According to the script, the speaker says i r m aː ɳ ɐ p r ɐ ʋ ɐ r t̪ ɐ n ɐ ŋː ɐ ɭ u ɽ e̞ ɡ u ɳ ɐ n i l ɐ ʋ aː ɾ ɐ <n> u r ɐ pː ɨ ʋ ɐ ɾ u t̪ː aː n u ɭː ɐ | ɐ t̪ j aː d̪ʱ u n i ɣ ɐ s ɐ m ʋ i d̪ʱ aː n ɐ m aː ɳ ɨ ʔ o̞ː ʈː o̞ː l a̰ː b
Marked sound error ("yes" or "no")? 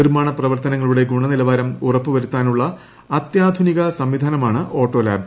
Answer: yes